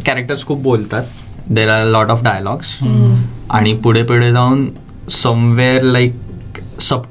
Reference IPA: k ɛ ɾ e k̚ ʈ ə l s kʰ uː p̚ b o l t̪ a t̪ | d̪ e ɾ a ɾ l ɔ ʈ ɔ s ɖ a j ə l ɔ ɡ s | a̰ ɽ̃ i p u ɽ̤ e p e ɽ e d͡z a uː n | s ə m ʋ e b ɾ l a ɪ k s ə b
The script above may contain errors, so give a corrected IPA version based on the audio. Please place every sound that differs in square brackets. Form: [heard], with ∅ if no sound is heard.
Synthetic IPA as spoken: k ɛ ɾ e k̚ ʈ ə [ɾ] s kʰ uː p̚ b o l t̪ a t̪ | d̪ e ɾ a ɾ l ɔ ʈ ɔ [f] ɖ a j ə l ɔ ɡ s | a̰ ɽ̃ i p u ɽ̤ e p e ɽ e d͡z a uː n | s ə m ʋ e [∅] ɾ l a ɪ k s ə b